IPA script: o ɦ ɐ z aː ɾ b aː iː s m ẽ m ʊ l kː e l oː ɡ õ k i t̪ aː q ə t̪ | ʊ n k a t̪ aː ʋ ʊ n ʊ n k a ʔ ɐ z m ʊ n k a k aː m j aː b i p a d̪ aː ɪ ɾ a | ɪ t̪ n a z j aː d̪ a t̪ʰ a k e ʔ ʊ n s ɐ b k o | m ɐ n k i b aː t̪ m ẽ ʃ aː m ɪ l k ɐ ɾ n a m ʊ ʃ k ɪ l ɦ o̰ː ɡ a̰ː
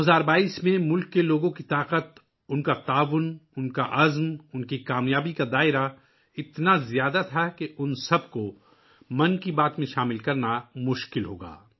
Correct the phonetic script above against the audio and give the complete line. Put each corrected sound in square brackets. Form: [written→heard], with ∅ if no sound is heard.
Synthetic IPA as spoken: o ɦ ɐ z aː ɾ b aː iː s m ẽ m ʊ l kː e l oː ɡ õ k i t̪ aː q ə t̪ | ʊ n k a t̪ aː ʋ ʊ n ʊ n k a ʔ ɐ z m ʊ n k [a→i] k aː m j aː b i [p→k] a d̪ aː ɪ ɾ a | ɪ t̪ n a z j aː d̪ a t̪ʰ a k e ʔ ʊ n s ɐ b k o | m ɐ n k i b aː t̪ m ẽ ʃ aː m ɪ l k ɐ ɾ n a m ʊ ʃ k ɪ l ɦ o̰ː ɡ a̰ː